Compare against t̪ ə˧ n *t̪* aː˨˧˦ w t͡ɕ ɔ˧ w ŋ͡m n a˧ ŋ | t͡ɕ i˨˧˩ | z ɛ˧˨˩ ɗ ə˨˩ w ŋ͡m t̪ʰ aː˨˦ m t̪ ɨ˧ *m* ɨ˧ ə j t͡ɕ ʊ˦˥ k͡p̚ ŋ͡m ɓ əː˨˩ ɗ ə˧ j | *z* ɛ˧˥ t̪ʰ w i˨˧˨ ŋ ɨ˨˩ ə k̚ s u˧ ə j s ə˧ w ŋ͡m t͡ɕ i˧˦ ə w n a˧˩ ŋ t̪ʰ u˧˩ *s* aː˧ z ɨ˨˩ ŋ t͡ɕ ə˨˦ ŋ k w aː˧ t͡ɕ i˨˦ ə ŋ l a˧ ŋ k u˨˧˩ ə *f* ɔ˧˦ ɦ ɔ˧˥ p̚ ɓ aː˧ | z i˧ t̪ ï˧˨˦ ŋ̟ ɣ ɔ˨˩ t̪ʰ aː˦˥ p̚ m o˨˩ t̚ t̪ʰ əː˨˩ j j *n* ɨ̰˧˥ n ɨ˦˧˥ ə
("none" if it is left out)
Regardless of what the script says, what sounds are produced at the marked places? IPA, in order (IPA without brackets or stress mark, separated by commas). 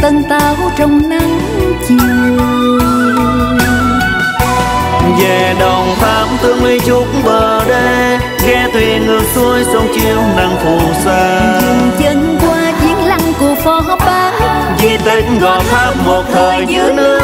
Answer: t̪, m, ɣ, s, f, ɲ